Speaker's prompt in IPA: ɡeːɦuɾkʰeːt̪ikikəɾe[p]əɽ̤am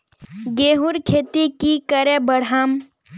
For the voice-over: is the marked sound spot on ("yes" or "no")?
no